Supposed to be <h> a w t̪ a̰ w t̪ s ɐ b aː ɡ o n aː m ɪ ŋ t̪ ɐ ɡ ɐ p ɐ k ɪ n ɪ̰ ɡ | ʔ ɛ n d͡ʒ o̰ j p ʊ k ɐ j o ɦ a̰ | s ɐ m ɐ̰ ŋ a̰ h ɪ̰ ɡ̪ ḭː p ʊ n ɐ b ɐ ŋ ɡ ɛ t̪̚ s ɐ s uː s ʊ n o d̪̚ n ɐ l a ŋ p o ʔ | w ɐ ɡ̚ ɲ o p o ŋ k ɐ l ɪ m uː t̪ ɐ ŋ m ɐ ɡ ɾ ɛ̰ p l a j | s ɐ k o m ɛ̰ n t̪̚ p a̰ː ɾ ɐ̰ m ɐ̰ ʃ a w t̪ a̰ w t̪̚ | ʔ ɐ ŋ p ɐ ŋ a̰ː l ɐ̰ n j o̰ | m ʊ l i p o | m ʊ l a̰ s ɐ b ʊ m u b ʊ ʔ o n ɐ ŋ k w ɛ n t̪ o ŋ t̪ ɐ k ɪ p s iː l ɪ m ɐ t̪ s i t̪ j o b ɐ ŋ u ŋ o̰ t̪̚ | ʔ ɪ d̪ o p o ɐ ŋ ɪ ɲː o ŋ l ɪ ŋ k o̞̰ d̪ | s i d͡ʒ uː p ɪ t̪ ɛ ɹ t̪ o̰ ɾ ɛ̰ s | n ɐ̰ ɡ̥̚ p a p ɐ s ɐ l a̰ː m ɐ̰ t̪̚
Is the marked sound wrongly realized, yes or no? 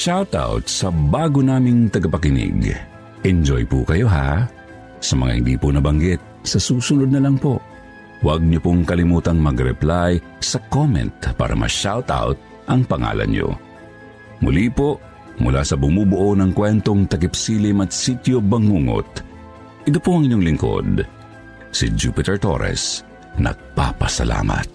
yes